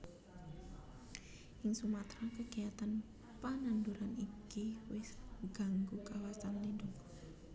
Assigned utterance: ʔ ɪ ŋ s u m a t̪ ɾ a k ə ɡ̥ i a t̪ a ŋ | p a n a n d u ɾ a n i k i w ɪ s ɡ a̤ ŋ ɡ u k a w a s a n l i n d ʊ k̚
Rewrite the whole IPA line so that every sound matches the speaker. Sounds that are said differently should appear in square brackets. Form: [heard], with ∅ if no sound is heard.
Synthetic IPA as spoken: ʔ ɪ ŋ s u m a t̪ ɾ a k ə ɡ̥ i a t̪ a [n] | p a n a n d u ɾ a n i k i w ɪ s ɡ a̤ ŋ ɡ u k a w a s a n l i n d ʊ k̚

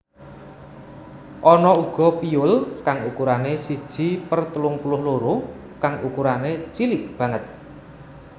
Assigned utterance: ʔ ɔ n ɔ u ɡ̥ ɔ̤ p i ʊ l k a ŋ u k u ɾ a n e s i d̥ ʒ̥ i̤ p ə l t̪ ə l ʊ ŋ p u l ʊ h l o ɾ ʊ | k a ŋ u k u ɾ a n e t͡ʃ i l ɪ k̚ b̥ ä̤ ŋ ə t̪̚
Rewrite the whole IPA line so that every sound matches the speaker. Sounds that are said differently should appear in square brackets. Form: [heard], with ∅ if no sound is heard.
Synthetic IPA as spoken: ʔ ɔ n ɔ u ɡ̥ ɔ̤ p i ʊ l k a ŋ u k u ɾ a n e s i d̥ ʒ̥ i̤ p ə [r] t̪ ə l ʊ ŋ p u l ʊ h l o ɾ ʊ | k a ŋ u k u ɾ a n e t͡ʃ i l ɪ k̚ b̥ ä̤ ŋ ə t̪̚

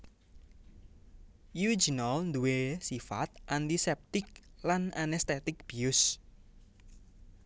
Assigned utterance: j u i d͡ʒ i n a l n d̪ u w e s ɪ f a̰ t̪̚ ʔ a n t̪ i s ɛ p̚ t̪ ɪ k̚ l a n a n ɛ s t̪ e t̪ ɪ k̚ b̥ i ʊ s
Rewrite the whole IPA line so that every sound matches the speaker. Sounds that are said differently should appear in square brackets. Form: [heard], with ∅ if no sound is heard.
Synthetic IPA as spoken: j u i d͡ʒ i n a l n d̪ u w e s [i] f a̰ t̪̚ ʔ a n t̪ i s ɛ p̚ t̪ ɪ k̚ l a n a n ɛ s t̪ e t̪ ɪ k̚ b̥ i ʊ s

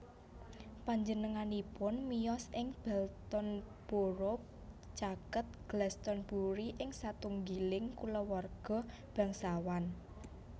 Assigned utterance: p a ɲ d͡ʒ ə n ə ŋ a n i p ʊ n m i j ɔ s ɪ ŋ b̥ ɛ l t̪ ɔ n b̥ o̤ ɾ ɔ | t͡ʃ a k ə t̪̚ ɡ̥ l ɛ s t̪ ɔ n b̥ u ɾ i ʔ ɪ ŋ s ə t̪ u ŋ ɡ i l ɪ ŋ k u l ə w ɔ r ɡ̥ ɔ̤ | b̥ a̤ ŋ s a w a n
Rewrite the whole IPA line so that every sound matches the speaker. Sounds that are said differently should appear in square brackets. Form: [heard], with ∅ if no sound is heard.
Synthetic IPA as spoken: p a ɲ d͡ʒ ə n ə ŋ a n i p ʊ n m i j ɔ s ɪ ŋ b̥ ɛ l t̪ ɔ n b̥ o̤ ɾ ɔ | t͡ʃ a k ə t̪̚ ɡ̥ l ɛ s t̪ ɔ n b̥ u ɾ i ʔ ɪ ŋ s [a] t̪ u ŋ ɡ i l ɪ ŋ k u l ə w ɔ r ɡ̥ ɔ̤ | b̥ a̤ ŋ s a w a n

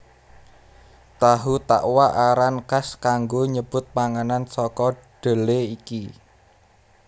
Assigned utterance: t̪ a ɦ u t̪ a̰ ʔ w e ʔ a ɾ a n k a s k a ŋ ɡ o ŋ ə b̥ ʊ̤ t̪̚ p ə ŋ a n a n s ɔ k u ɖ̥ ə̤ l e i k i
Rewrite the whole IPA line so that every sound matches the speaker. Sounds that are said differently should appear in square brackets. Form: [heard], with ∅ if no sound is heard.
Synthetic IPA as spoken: t̪ a ɦ u t̪ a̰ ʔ w [a] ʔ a ɾ a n k a s k a ŋ ɡ o [ɲ] ə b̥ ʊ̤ t̪̚ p [a] ŋ a n a n s ɔ k [ɔ] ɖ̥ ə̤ l e i k i

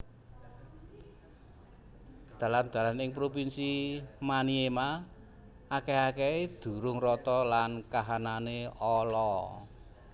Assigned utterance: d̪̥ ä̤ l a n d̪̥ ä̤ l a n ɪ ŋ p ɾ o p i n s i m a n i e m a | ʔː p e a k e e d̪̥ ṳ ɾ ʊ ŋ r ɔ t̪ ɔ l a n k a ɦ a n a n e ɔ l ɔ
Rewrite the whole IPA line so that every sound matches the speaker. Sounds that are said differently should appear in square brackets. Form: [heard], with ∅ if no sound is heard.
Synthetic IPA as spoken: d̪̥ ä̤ l a n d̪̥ ä̤ l a n ɪ ŋ p ɾ o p i n s i m a n i e m a | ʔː [k] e a k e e d̪̥ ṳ ɾ ʊ ŋ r ɔ t̪ ɔ l a n k a ɦ a n a n e ɔ l ɔ

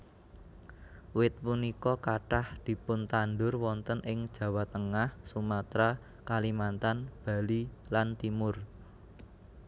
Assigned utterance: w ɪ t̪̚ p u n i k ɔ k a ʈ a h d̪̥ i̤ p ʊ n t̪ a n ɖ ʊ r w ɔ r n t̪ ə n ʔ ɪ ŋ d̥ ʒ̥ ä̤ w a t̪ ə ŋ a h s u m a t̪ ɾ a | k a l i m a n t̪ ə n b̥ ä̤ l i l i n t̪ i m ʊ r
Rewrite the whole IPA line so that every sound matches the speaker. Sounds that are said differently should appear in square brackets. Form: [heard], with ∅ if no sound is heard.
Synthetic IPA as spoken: w ɪ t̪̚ p u n i k ɔ k a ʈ a h d̪̥ i̤ p ʊ n t̪ a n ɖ ʊ r w ɔ [∅] n t̪ ə n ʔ ɪ ŋ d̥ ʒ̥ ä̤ w a t̪ ə ŋ a h s u m a t̪ ɾ a | k a l i m a n t̪ [a] n b̥ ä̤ l i l [a] n t̪ i m ʊ r

